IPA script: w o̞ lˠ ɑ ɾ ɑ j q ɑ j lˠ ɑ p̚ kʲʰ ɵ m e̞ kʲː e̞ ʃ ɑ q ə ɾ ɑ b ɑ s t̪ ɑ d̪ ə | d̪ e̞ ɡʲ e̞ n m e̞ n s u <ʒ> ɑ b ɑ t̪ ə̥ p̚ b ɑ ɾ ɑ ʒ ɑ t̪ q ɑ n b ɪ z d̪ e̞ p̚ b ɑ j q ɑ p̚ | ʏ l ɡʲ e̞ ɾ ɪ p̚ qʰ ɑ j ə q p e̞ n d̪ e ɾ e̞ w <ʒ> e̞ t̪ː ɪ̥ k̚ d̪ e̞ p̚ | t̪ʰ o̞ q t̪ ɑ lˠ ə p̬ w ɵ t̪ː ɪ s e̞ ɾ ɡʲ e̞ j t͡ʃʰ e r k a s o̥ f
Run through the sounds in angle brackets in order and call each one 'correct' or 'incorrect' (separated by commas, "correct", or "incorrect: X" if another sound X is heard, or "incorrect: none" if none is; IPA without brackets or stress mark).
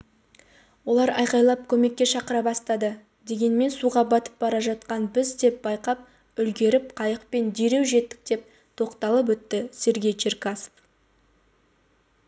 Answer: incorrect: ʁ, correct